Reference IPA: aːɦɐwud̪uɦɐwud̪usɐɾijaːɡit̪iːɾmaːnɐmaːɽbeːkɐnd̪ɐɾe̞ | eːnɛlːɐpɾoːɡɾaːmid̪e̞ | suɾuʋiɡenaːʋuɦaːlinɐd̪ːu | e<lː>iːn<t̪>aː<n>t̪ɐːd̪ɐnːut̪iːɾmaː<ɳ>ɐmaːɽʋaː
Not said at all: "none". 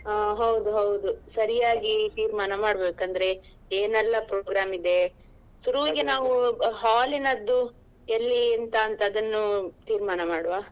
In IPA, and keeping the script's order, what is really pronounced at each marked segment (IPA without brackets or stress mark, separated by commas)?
lː, t̪, n, n